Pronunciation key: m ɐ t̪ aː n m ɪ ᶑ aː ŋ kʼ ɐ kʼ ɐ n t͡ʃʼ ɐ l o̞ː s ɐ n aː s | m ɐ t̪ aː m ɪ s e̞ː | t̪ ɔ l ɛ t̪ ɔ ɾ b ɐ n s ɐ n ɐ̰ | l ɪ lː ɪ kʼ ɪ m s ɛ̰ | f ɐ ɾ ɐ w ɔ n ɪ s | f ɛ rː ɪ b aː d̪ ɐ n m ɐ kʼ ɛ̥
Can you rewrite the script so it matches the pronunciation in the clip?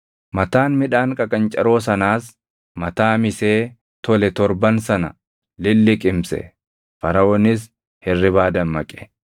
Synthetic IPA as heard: m ɐ t̪ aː n m ɪ ᶑ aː ŋ kʼ ɐ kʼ ɐ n t͡ʃʼ ɐ ɾ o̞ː s ɐ n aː s | m ɐ t̪ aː m ɪ s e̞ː | t̪ ɔ l ɛ t̪ ɔ ɾ b ɐ n s ɐ n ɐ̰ | l ɪ lː ɪ kʼ ɪ m s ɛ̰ | f ɐ ɾ ɐ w ɔ n ɪ s | h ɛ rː ɪ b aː d̪ ɐ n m ɐ kʼ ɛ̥